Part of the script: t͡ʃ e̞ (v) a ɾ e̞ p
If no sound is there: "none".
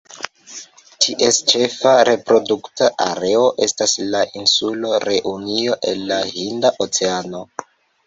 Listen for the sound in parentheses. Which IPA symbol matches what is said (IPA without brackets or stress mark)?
f